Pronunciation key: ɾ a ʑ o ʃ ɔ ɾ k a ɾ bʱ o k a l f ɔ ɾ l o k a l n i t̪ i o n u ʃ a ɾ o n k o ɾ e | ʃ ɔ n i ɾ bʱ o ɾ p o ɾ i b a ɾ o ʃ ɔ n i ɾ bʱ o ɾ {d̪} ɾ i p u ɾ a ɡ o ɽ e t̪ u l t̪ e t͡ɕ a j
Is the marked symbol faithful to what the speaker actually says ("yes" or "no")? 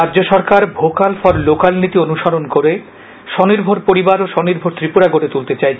no